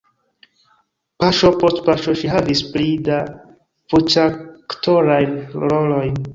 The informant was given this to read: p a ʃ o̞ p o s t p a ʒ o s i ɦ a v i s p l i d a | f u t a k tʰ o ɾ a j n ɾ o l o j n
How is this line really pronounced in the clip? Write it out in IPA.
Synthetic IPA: p a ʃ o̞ p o s t p a ʃ o ʃ i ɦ a v i s p l i d a | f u t͡ʃ a k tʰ o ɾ a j n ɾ o l o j n